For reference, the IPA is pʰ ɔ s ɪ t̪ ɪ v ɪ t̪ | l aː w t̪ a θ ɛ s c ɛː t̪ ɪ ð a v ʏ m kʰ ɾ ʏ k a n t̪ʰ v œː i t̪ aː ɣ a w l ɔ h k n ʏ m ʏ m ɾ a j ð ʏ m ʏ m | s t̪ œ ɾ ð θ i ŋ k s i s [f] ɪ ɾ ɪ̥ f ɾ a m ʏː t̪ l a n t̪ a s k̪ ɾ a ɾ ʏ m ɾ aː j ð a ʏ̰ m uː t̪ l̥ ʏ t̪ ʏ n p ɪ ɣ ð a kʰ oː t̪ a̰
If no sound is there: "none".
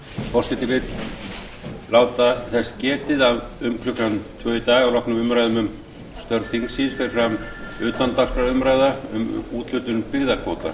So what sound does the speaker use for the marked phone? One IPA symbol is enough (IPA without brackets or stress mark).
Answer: f